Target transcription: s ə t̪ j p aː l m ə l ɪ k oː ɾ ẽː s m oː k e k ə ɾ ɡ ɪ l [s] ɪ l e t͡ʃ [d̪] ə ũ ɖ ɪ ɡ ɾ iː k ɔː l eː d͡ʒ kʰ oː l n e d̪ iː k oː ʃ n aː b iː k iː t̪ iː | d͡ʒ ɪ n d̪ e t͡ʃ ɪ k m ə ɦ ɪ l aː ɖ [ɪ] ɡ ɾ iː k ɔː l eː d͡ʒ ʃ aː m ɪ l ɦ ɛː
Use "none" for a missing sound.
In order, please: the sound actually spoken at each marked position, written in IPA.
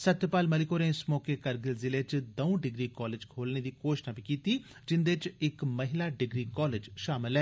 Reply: z, d̪, ɪ

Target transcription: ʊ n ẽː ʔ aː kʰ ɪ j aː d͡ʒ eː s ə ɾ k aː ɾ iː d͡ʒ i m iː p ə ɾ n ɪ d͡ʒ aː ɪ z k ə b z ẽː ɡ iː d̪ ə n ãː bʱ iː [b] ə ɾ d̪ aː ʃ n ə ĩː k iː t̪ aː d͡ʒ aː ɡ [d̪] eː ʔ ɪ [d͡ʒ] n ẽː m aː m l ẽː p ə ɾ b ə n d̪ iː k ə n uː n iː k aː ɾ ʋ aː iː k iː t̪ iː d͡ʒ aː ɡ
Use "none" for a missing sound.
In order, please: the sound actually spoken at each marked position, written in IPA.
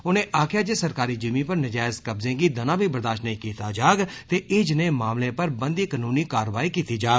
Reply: b, t̪, d͡ʒ

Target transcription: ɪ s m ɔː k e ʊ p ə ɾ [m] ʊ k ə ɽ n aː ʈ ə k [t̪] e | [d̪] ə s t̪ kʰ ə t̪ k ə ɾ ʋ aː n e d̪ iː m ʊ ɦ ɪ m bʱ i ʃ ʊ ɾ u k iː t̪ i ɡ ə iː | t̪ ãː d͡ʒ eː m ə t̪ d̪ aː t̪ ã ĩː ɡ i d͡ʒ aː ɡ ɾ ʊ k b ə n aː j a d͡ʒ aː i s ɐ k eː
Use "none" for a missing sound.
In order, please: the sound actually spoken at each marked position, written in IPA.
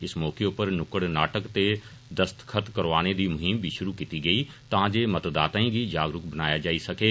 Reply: n, t̪, d̪

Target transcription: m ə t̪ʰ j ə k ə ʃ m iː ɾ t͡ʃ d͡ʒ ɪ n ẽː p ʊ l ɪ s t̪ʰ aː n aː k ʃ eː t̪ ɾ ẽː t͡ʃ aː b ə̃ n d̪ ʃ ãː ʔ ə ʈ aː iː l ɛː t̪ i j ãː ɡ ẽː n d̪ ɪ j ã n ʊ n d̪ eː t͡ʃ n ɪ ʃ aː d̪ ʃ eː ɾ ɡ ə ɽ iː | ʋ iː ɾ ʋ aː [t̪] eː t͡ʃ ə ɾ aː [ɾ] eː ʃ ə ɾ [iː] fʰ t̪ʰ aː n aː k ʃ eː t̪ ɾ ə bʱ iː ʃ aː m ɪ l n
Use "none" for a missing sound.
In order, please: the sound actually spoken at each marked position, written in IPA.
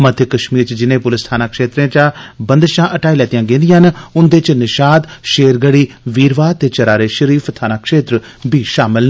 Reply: t̪, ɾ, iː

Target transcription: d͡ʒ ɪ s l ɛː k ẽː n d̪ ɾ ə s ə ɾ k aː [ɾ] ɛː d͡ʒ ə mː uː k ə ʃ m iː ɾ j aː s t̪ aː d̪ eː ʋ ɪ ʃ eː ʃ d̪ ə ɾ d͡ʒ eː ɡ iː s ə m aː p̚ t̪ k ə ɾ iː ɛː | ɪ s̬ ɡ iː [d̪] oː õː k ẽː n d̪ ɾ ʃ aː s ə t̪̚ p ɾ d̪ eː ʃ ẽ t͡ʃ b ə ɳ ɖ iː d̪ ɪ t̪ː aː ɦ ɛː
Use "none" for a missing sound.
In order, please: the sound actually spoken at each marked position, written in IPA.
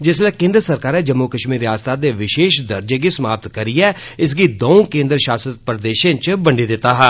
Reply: ɾ, d̪

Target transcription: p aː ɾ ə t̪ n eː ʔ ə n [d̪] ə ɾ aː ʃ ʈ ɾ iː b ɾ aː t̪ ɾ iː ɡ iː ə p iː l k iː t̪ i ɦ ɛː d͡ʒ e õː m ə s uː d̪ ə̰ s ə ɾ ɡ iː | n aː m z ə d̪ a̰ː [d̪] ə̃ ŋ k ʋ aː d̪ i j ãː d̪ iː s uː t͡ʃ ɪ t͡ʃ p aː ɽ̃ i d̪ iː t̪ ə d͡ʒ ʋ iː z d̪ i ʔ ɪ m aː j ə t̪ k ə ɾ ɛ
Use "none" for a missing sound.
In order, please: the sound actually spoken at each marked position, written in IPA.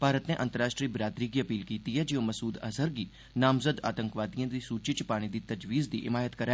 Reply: t̪, t̪

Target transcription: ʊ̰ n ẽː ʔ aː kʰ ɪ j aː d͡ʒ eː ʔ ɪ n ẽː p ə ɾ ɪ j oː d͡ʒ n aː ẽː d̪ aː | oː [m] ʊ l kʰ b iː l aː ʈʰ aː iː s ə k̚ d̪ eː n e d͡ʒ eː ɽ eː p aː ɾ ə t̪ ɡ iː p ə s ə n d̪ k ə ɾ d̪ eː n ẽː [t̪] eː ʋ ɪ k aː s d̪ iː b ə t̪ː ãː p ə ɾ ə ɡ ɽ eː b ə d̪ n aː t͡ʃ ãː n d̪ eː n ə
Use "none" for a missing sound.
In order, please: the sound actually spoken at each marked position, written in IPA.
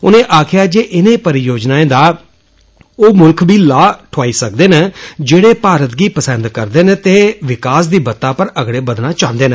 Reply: m, t̪

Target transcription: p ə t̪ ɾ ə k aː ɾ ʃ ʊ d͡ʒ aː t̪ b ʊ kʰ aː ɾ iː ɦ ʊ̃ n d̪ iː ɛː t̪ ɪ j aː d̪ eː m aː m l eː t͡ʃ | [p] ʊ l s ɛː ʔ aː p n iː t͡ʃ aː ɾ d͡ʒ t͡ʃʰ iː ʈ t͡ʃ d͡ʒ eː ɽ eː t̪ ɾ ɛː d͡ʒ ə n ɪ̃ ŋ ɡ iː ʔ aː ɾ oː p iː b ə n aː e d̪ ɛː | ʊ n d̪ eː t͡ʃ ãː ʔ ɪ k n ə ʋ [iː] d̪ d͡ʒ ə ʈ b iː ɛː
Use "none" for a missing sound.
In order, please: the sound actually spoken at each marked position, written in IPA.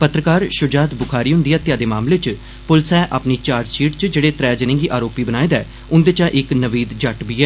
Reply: p, iː

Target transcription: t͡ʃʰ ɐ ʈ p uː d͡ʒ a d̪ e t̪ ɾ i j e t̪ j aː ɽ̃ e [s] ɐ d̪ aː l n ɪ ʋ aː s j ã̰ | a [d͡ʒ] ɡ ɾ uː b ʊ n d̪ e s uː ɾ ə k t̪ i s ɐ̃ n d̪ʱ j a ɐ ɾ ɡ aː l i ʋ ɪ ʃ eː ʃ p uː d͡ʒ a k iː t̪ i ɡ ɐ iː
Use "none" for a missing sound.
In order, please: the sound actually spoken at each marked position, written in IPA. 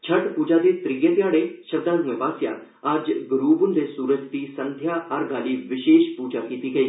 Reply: ʃ, d͡ʒ

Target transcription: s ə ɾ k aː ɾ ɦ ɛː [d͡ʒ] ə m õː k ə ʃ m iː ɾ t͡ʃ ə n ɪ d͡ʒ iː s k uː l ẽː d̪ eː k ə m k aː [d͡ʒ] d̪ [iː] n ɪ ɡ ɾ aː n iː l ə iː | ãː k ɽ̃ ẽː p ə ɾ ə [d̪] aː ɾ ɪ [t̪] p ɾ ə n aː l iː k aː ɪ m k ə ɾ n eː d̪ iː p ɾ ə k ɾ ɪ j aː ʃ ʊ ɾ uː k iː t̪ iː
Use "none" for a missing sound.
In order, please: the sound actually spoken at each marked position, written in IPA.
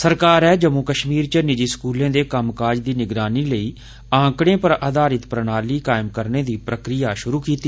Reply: d͡ʒ, d͡ʒ, iː, d̪, t̪

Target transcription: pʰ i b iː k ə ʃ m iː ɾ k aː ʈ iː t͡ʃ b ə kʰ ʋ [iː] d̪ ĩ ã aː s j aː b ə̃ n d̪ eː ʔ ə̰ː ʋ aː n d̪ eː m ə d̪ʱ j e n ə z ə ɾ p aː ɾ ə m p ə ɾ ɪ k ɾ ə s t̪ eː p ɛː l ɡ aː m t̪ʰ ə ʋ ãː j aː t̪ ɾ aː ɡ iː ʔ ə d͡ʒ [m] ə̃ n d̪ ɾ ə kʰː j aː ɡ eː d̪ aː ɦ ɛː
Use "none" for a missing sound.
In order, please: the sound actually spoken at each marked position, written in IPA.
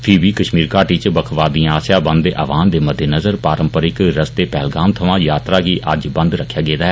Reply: aː, b

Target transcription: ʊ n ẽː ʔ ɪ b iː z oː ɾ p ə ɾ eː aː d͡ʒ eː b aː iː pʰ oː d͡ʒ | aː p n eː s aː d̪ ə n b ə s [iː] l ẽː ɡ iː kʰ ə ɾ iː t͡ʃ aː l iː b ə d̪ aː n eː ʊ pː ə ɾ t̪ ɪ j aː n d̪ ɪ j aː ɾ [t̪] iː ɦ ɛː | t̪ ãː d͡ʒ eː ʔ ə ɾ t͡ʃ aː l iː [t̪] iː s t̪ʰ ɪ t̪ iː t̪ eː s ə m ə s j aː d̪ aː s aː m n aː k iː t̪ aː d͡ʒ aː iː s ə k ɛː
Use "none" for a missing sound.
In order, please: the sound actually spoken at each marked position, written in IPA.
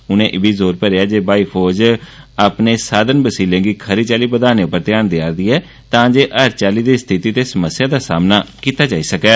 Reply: iː, d̪, d̪

